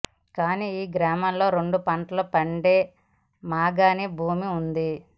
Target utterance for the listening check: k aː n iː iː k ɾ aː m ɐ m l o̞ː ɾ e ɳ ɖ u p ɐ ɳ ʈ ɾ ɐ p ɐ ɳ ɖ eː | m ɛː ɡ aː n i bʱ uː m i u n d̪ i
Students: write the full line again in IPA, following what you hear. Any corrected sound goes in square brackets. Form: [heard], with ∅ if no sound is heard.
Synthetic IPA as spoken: k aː n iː iː [ɡ] ɾ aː m ɐ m l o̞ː ɾ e ɳ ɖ u p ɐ ɳ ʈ [l] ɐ p ɐ ɳ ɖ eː | m [aː] ɡ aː n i bʱ uː m i u n d̪ i